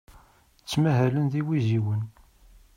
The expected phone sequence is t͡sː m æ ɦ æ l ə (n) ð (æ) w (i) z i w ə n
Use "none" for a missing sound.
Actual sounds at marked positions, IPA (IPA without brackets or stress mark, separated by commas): n, i, i